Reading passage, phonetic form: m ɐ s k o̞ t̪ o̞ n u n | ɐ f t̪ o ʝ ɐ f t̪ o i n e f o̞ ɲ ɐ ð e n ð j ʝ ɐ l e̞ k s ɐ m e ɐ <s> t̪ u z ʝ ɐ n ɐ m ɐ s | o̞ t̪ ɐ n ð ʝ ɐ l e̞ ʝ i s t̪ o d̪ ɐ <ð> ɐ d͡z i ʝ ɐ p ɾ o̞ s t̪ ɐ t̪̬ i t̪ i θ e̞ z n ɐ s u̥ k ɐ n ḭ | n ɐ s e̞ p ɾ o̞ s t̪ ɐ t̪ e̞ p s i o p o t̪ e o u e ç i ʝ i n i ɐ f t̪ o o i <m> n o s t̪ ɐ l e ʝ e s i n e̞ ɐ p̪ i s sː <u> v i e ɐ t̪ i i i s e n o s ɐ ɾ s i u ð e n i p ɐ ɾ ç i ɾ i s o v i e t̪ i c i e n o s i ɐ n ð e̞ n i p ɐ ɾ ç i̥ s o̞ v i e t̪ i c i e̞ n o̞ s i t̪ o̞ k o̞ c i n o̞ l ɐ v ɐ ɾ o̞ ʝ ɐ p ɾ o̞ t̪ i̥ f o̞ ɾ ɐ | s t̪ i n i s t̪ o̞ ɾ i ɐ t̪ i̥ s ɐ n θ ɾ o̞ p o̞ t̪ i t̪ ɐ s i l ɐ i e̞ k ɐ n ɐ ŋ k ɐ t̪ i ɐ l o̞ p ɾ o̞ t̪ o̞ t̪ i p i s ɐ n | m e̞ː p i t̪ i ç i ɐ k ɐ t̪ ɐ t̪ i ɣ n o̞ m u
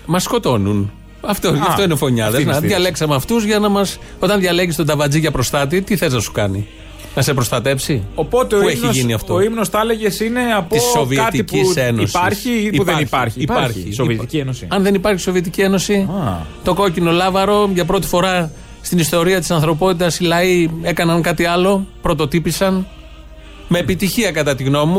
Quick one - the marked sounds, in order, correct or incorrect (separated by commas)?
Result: incorrect, incorrect, correct, incorrect